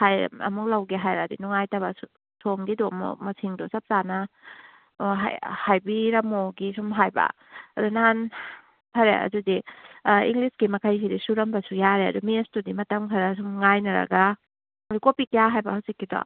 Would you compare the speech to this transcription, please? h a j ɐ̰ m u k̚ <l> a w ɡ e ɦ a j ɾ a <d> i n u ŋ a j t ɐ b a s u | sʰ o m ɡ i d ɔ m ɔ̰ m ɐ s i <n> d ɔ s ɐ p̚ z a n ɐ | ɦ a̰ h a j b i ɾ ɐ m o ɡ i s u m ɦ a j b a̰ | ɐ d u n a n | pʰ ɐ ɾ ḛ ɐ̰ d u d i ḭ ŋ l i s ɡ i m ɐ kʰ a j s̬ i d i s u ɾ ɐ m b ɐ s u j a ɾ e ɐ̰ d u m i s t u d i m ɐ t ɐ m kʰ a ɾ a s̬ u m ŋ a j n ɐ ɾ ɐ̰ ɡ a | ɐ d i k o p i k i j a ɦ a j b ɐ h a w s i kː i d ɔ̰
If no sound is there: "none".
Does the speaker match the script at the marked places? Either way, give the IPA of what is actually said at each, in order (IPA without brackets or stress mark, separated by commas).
l, d, ŋ